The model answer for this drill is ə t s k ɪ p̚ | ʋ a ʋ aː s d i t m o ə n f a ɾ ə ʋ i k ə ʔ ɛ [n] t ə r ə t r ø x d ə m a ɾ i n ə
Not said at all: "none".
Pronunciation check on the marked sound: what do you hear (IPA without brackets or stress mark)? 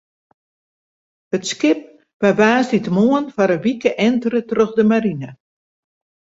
n